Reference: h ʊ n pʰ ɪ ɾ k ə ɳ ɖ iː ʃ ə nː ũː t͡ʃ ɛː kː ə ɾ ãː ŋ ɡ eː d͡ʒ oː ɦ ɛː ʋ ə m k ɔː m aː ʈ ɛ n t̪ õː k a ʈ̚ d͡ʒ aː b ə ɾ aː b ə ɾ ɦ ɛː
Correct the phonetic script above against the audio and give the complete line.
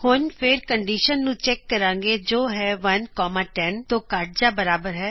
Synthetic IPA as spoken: h ʊ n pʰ ɪ ɾ k ə ɳ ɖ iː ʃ ə nː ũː t͡ʃ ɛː kː ə ɾ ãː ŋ ɡ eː d͡ʒ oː ɦ ɛː ʋ ə n k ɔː m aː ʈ ɛ n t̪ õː k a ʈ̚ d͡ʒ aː b ə ɾ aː b ə ɾ ɦ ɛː

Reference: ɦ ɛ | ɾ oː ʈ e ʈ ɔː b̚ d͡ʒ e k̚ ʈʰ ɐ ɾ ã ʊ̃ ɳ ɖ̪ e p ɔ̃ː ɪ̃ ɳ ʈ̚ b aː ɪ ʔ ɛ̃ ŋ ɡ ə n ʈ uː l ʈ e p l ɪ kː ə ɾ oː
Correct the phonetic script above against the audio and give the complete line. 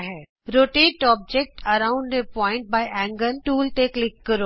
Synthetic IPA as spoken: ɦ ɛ | ɾ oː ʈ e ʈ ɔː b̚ d͡ʒ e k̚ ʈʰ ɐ ɾ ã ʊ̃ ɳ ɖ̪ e p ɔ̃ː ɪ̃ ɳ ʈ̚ b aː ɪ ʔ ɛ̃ ŋ ɡ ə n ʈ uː l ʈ e k l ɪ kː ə ɾ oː

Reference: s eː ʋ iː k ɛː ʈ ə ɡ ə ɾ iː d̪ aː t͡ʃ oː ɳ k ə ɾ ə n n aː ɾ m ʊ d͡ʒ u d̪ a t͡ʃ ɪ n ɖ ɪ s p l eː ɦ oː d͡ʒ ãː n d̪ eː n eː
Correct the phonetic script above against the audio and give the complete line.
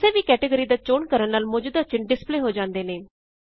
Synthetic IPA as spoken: s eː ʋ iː k ɛː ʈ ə ɡ ə ɾ iː d̪ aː t͡ʃ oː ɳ k ə ɾ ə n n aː l m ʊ d͡ʒ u d̪ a t͡ʃ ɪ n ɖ ɪ s p l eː ɦ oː d͡ʒ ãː n d̪ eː n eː

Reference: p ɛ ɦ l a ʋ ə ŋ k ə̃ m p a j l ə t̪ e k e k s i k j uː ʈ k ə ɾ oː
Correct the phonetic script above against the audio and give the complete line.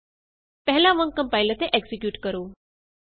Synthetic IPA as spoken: p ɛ ɦ l a ʋ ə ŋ k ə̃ m p a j l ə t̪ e ʔ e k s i k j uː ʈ k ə ɾ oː

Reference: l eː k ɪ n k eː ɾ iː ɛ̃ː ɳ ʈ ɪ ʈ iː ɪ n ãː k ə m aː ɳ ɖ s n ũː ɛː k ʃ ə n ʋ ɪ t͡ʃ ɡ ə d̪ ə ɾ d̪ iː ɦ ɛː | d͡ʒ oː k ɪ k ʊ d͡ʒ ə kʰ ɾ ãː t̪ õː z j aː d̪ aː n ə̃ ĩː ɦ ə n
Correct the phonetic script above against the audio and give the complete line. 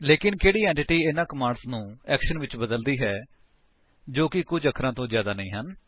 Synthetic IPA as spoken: l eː k ɪ n k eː ɽ iː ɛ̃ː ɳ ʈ ɪ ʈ iː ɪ n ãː k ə m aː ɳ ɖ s n ũː ɛː k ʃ ə n ʋ ɪ t͡ʃ b ə d̪ ə l d̪ iː ɦ ɛː | d͡ʒ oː k ɪ k ʊ d͡ʒ ə kʰ ɾ ãː t̪ õː z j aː d̪ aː n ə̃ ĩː ɦ ə n

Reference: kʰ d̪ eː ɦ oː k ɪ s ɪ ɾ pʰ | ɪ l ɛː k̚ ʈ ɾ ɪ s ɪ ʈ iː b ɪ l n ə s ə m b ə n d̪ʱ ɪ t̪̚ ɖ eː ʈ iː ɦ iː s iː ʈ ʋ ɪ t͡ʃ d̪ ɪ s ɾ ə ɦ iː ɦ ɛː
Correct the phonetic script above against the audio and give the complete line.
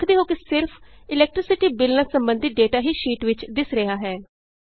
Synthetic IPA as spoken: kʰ d̪ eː ɦ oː k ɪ s ɪ ɾ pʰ | ɪ l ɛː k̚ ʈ ɾ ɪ s ɪ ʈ iː b ɪ l n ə s ə m b ə n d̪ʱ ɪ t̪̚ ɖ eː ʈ aː ɦ iː ʃ iː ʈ ʋ ɪ t͡ʃ d̪ ɪ s ɾ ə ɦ aː ɦ ɛː

